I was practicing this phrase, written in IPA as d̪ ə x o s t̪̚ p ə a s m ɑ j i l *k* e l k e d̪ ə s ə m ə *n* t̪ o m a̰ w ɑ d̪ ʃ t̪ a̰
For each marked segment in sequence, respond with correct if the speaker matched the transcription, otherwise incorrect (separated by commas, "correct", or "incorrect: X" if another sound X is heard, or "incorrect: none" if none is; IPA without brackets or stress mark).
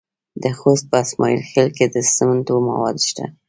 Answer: incorrect: x, correct